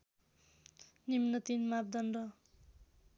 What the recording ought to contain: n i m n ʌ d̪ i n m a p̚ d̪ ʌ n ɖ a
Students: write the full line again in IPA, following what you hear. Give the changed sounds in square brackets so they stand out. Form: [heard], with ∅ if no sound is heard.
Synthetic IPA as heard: n i m n ʌ [t̪] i n m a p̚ d̪ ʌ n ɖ [ʌ]